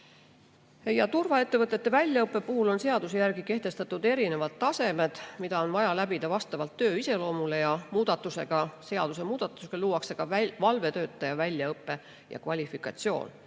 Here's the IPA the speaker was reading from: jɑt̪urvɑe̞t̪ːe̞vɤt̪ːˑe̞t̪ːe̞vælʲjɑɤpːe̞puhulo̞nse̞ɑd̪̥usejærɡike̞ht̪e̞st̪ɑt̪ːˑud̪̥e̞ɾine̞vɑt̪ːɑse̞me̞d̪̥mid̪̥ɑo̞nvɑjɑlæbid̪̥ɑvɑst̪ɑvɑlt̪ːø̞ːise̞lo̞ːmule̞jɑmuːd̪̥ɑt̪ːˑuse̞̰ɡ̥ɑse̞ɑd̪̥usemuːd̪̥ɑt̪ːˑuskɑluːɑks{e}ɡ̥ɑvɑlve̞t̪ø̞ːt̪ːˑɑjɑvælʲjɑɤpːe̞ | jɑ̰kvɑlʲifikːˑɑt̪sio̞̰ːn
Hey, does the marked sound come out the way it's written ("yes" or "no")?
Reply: yes